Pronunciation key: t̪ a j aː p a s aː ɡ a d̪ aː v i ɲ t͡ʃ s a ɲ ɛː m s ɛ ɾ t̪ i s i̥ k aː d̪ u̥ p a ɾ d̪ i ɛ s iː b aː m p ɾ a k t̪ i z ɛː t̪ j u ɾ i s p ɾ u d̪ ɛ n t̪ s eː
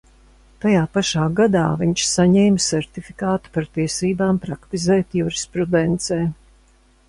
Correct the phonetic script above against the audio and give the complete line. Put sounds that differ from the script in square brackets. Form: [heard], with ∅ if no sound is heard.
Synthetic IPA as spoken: t̪ a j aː p a [ʃ] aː ɡ a d̪ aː v i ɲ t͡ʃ s a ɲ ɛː m s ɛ ɾ t̪ i [f] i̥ k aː [t̪] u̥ p a ɾ [t̪] i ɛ s iː b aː m p ɾ a k t̪ i z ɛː t̪ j u ɾ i s p ɾ u d̪ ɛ n t̪ s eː